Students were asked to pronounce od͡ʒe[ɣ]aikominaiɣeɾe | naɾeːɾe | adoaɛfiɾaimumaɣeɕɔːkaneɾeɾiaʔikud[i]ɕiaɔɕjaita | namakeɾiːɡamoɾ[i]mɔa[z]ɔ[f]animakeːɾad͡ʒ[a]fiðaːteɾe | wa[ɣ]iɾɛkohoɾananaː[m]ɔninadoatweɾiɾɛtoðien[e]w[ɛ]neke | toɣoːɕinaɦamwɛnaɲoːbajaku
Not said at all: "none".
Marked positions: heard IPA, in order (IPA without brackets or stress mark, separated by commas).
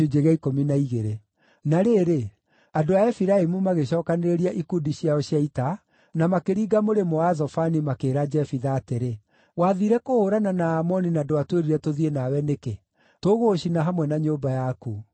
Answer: ɣ, i, e, z, f, ɛ, ð, m, a, ɛ